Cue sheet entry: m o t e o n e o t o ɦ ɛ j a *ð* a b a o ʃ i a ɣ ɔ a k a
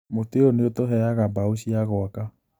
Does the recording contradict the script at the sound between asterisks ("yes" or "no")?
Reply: yes